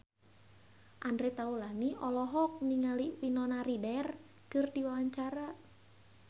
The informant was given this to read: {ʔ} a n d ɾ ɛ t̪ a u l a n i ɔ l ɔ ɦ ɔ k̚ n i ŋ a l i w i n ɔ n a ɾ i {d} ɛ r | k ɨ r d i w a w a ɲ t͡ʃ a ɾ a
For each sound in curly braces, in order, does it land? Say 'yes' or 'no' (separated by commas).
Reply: yes, yes